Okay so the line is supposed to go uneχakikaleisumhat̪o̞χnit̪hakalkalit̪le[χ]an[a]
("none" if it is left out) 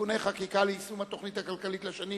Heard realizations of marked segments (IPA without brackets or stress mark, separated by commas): ʃ, i